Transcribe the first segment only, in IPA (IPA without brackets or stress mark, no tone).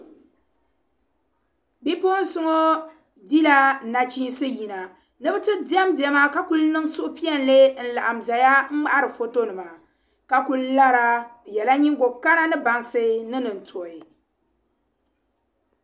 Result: b